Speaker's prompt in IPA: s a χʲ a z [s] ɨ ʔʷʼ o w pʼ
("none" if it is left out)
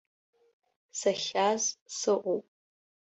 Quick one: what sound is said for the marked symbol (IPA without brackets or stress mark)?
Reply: s